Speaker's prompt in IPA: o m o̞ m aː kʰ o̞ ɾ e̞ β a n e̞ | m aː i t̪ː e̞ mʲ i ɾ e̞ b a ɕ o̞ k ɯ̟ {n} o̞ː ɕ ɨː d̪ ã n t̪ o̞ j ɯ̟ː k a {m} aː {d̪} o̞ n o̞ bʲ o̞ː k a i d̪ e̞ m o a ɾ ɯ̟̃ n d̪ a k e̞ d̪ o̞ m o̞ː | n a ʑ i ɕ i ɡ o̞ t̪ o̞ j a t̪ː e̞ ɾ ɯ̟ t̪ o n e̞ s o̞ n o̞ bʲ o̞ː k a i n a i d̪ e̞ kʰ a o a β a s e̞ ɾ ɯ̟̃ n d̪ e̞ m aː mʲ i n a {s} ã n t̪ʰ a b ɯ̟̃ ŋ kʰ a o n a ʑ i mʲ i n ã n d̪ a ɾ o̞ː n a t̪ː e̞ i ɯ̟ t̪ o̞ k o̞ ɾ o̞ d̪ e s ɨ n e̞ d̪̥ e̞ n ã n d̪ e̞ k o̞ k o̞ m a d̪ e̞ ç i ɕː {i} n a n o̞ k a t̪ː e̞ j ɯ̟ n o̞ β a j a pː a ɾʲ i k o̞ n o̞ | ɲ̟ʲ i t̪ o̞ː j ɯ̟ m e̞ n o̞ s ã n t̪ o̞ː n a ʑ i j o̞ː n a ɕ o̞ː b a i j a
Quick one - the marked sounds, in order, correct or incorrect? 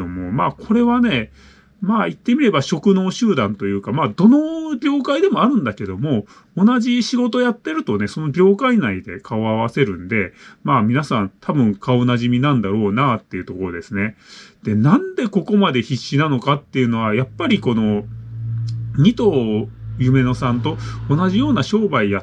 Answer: correct, correct, correct, correct, correct

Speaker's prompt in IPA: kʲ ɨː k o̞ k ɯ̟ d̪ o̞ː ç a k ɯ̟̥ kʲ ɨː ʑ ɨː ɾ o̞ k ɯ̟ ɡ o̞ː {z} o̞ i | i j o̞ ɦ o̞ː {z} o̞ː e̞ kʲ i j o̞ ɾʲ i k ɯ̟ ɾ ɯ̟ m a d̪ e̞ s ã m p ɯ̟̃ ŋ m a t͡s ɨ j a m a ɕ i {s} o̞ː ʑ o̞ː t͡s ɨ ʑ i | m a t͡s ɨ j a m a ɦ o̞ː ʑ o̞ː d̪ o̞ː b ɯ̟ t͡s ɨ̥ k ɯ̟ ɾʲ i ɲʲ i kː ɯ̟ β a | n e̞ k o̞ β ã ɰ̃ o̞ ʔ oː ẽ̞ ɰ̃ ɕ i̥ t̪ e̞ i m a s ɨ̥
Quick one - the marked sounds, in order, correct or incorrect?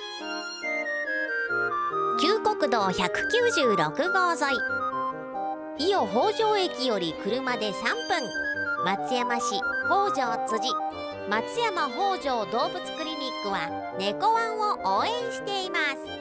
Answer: correct, incorrect: ʑ, incorrect: h

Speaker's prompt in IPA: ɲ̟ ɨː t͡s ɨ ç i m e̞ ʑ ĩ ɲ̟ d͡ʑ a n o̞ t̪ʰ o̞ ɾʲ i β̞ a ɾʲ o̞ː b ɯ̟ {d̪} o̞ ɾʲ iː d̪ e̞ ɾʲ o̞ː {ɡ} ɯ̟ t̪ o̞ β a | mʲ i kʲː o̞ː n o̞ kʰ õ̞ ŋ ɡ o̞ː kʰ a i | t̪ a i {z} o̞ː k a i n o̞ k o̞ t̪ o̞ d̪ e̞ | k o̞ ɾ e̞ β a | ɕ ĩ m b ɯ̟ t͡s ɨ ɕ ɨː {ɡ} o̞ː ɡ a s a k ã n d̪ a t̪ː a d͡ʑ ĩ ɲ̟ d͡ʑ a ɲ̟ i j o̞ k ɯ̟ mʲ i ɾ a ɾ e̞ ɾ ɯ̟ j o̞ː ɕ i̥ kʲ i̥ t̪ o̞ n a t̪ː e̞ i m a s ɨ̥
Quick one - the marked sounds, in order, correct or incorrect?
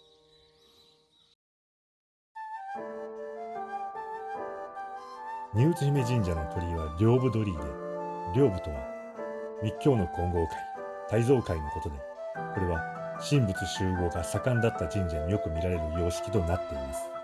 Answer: correct, incorrect: b, correct, correct

